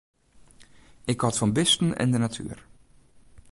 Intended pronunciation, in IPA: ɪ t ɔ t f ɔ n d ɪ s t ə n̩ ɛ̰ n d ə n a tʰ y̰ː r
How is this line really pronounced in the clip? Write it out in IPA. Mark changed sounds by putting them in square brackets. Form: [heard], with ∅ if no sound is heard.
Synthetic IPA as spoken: ɪ [k] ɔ t f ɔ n [b] ɪ s t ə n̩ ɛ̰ n d ə n a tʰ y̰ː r